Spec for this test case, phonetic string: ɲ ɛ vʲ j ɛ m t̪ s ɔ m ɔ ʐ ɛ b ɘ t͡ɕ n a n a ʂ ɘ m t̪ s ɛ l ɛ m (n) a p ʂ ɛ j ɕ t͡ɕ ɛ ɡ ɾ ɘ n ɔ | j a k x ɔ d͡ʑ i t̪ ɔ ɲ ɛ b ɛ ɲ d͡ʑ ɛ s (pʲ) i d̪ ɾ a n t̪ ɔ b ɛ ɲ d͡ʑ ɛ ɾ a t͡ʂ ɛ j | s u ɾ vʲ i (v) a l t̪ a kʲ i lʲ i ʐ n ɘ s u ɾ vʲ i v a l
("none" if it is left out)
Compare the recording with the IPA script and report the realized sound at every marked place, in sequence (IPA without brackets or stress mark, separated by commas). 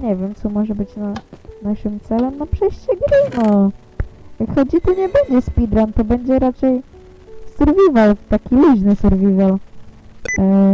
n, pʲ, v